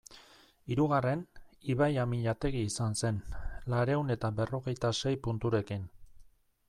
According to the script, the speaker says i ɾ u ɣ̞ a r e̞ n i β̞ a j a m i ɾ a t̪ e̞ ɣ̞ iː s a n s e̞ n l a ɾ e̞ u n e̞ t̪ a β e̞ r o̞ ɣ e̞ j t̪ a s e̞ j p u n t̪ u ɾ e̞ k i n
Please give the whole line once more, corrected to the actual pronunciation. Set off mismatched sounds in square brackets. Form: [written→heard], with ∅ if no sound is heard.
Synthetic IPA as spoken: i ɾ u ɣ̞ a r e̞ n i β̞ a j a m i [ɾ→ʎ] a t̪ e̞ ɣ̞ iː s a n s e̞ n l a ɾ e̞ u n e̞ t̪ a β e̞ r o̞ ɣ e̞ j t̪ a s e̞ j p u n t̪ u ɾ e̞ k i n

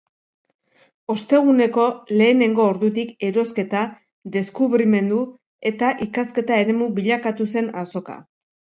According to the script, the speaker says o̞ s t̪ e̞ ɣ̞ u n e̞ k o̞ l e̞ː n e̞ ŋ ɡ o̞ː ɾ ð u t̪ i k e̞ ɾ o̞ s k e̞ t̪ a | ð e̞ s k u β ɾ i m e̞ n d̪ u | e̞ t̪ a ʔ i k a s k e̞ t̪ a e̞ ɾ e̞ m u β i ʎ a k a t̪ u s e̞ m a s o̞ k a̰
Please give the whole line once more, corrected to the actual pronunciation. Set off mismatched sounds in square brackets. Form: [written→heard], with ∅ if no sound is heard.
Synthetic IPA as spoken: o̞ s t̪ e̞ ɣ̞ u n e̞ k o̞ l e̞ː n e̞ ŋ ɡ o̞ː ɾ ð u t̪ i k e̞ ɾ o̞ s k e̞ t̪ a | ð e̞ s k u β ɾ i m e̞ n d̪ u | e̞ t̪ a ʔ i k a s k e̞ t̪ a e̞ ɾ e̞ m u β i ʎ a k a t̪ u s e̞ [m→n] a s o̞ k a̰

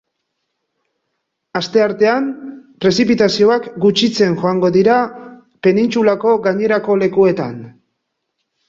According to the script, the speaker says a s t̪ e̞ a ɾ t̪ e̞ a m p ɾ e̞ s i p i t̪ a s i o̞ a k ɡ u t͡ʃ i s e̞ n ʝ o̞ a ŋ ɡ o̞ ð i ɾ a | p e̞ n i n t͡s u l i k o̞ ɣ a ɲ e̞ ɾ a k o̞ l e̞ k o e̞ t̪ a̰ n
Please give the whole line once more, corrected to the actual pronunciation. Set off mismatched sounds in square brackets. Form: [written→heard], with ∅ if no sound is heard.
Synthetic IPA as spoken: a s t̪ e̞ a ɾ t̪ e̞ a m p ɾ e̞ s i p i t̪ a s i o̞ a k ɡ u t͡ʃ i [s→t͡s] e̞ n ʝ o̞ a ŋ ɡ o̞ ð i ɾ a | p e̞ n i n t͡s u l [i→a] k o̞ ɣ a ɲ e̞ ɾ a k o̞ l e̞ k [o→u] e̞ t̪ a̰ n

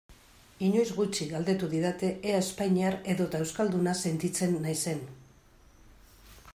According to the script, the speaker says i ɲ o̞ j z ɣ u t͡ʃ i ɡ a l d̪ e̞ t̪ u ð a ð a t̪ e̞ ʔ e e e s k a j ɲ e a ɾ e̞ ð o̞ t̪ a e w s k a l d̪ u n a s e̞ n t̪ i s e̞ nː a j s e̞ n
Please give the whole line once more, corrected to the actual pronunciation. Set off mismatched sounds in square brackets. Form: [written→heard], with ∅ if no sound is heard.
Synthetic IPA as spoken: i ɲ o̞ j z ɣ u t͡ʃ i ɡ a l d̪ e̞ t̪ u ð [a→i] ð a t̪ e̞ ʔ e [e→a] e s [k→p] a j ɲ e a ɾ e̞ ð o̞ t̪ a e w s k a l d̪ u n a s e̞ n t̪ i [s→t͡s] e̞ nː a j s e̞ n

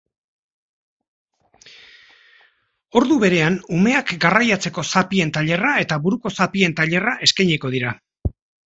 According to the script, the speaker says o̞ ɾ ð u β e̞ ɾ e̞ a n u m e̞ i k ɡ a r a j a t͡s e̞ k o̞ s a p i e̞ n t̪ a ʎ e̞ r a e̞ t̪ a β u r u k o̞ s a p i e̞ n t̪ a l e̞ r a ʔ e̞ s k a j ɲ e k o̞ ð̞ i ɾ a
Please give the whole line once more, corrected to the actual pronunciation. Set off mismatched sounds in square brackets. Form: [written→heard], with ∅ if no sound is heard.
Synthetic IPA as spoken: o̞ ɾ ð u β e̞ ɾ e̞ a n u m e̞ [i→a] k ɡ a r a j a t͡s e̞ k o̞ s a p i e̞ n t̪ a ʎ e̞ r a e̞ t̪ a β u [r→ɾ] u k o̞ s a p i e̞ n t̪ a [l→ʎ] e̞ r a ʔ e̞ s k a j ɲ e k o̞ ð̞ i ɾ a

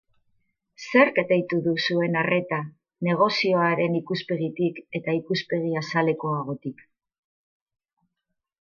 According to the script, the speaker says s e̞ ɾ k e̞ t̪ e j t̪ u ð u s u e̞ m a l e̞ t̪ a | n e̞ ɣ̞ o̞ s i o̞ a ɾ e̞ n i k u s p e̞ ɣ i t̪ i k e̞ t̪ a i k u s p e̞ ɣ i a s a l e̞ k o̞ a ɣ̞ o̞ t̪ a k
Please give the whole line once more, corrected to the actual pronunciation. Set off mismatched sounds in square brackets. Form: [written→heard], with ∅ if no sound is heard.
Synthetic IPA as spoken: s e̞ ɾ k e̞ t̪ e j t̪ u ð u s u e̞ [m→n] a [l→r] e̞ t̪ a | n e̞ ɣ̞ o̞ s i o̞ a ɾ e̞ n i k u s p e̞ ɣ i t̪ i k e̞ t̪ a i k u s p e̞ ɣ i a s a l e̞ k o̞ a ɣ̞ o̞ t̪ [a→i] k

